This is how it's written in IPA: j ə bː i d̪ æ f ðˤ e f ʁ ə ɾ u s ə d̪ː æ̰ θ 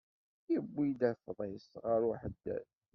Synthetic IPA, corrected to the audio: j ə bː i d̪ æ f ðˤ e s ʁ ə ɾ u ħ ə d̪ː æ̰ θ